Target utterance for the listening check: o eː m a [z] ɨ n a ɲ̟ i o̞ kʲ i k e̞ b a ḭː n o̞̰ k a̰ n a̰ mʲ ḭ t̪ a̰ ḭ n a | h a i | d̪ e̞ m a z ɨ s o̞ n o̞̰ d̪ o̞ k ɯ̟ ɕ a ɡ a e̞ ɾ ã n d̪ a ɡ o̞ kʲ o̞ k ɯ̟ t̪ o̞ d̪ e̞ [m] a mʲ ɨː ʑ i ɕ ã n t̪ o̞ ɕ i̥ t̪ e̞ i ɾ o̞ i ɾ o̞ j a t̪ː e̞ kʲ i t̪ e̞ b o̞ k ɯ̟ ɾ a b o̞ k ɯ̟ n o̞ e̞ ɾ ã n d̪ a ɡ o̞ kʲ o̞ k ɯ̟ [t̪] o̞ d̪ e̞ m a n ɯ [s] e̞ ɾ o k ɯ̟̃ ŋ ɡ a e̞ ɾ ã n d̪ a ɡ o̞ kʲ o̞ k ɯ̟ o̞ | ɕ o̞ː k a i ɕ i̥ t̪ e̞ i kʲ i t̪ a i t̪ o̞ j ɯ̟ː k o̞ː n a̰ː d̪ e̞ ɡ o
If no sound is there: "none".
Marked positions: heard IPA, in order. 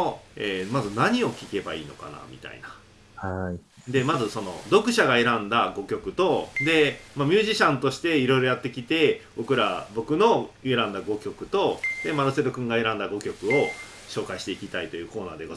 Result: z, m, t̪, s

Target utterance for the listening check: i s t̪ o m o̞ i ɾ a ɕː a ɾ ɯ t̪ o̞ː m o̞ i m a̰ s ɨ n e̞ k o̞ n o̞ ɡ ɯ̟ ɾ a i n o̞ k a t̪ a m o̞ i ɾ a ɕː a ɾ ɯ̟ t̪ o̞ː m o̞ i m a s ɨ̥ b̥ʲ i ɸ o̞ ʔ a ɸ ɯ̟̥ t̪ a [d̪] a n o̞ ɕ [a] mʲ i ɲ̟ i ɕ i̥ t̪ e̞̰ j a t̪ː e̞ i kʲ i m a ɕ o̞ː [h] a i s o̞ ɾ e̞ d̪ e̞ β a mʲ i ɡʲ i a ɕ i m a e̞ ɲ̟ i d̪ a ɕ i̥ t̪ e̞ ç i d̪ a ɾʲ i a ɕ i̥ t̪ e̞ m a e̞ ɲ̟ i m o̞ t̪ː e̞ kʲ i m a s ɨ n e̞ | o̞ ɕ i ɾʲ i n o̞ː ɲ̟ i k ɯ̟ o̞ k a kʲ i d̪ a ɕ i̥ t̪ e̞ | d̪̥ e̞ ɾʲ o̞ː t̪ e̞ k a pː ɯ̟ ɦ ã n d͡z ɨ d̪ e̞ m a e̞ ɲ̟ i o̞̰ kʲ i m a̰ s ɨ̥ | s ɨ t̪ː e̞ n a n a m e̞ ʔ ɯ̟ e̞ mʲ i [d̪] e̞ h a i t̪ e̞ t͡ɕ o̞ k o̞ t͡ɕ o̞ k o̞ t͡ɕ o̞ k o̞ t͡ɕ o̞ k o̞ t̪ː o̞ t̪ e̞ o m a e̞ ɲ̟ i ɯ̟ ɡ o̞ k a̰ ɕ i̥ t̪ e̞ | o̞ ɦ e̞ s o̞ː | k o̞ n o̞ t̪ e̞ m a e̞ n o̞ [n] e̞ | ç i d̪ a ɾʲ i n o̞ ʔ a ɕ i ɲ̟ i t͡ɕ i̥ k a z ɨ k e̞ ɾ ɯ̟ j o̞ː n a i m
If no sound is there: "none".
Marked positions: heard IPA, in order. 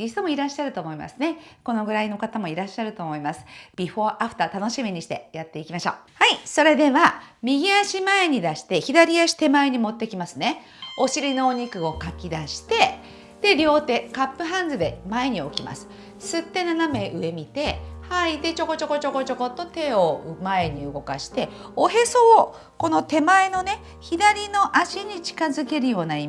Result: t̪, i, h, t̪, n

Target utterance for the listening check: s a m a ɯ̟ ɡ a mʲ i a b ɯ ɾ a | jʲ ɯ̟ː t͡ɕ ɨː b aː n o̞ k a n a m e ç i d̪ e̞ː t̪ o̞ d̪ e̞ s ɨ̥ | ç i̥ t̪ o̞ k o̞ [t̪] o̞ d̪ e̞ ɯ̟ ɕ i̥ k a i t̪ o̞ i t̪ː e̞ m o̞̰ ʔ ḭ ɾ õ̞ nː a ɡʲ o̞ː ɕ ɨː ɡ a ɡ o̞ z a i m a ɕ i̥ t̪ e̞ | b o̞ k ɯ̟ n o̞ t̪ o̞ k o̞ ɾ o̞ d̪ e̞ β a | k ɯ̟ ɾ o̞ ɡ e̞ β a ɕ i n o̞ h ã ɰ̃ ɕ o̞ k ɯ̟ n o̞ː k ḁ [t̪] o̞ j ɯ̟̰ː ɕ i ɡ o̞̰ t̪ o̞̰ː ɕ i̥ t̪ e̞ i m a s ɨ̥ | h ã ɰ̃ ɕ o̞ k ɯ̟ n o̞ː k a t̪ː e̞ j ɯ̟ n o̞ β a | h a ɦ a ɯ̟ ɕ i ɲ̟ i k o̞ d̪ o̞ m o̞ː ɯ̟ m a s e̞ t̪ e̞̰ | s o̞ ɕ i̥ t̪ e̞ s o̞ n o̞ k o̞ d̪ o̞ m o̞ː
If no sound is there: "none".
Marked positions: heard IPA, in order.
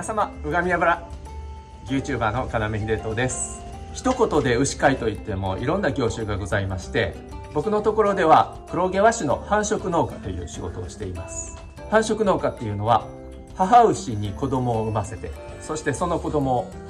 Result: t̪, t̪

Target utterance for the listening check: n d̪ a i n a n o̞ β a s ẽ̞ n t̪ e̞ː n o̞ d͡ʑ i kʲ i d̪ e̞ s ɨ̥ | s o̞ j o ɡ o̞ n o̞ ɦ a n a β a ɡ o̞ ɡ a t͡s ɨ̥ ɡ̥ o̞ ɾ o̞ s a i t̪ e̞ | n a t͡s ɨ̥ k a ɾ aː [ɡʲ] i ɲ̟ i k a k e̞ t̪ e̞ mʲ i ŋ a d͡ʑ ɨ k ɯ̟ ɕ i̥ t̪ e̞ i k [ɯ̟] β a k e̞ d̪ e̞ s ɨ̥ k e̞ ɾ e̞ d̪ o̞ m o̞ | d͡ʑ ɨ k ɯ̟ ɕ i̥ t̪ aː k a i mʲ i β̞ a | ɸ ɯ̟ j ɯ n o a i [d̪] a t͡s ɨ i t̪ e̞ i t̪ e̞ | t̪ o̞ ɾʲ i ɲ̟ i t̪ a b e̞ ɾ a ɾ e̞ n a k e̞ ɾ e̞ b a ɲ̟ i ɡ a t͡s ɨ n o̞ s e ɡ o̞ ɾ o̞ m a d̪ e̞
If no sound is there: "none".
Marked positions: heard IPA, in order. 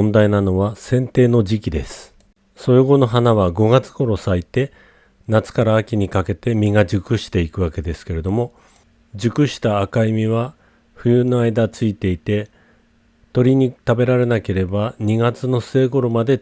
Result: kʲ, ɯ̟, d̪

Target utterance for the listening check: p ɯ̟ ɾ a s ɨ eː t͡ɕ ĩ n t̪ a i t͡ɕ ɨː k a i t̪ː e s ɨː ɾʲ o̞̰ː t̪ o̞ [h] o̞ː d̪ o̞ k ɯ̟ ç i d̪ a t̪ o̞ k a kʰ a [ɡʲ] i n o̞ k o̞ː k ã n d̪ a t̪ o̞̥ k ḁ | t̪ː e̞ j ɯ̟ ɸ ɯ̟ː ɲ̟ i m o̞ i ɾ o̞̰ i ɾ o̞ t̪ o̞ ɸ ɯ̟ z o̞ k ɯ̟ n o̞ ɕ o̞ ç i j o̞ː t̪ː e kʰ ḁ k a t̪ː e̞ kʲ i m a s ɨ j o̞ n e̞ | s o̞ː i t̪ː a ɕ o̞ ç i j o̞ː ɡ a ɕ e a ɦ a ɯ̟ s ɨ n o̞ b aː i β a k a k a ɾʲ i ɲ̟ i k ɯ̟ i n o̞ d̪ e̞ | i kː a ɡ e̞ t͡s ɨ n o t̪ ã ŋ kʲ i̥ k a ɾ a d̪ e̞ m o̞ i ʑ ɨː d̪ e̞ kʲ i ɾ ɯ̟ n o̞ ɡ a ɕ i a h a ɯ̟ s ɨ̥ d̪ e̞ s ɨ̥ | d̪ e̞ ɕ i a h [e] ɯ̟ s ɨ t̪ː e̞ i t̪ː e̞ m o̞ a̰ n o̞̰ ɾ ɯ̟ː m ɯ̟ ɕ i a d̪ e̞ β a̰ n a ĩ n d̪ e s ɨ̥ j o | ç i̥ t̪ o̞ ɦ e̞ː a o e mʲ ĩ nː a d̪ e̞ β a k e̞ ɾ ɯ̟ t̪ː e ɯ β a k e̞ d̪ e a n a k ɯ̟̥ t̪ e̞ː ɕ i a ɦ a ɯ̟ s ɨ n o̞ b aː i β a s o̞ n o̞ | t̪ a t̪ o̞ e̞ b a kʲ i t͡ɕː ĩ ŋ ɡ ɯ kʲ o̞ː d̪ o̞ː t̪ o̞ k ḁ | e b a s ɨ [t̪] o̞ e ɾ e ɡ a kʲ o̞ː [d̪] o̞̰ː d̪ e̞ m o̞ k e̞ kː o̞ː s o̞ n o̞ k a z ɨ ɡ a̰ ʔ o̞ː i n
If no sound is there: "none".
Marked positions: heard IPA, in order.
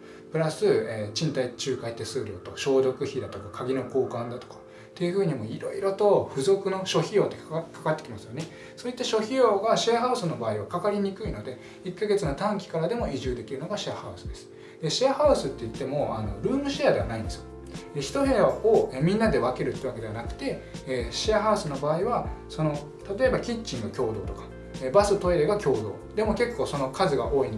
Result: ɕ, ɡʲ, a, t̪, d̪

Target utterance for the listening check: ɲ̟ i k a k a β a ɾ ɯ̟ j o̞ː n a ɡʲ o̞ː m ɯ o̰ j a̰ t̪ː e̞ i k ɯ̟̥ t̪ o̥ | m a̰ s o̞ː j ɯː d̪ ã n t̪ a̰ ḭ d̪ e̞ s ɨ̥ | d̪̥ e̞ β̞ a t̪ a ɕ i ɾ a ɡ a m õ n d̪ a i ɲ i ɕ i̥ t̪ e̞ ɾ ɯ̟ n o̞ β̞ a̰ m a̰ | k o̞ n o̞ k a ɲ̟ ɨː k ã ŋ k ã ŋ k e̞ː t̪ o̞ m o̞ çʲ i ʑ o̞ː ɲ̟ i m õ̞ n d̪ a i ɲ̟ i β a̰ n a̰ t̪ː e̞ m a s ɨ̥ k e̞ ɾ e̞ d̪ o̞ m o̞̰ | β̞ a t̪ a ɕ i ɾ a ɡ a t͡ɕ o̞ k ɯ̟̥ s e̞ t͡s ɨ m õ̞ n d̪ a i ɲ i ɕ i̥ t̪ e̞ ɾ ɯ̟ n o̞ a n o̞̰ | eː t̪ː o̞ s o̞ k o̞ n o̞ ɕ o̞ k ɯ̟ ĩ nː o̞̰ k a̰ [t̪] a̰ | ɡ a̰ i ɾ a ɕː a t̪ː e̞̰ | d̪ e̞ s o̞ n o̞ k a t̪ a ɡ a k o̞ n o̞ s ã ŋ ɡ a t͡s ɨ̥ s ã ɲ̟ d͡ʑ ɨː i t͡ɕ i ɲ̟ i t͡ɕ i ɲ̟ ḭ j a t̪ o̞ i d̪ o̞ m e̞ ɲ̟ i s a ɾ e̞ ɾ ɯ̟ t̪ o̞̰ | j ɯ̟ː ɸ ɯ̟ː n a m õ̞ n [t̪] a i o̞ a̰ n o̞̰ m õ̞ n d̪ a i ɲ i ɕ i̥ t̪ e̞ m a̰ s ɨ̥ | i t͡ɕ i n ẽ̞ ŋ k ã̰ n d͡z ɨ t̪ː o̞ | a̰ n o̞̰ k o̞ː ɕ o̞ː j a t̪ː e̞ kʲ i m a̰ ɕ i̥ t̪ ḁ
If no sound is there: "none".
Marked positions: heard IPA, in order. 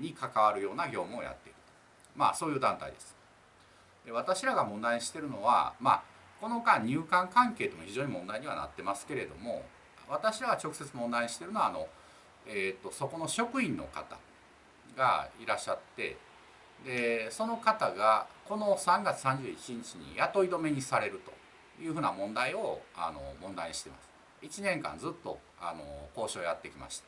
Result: t̪, d̪

